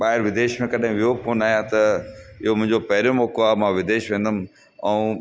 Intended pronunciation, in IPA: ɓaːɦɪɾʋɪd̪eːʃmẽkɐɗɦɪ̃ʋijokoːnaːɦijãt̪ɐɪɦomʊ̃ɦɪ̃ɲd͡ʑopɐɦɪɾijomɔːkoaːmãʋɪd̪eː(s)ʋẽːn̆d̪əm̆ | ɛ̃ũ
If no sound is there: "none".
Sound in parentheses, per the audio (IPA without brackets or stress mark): ʃ